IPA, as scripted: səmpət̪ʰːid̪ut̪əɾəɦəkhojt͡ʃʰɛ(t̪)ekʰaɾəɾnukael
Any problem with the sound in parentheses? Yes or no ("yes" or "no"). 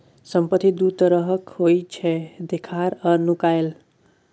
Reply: yes